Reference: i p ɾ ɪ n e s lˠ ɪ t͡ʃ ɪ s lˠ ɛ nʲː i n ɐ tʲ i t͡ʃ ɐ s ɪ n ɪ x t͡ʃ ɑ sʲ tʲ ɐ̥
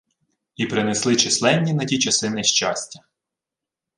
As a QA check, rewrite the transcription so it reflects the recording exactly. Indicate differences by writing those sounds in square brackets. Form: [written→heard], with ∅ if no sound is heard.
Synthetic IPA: i p ɾ ɪ n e s lˠ ɪ t͡ʃ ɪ s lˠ ɛ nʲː i n ɐ tʲ i t͡ʃ ɐ s ɪ n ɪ [x→ʃ] t͡ʃ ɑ sʲ tʲ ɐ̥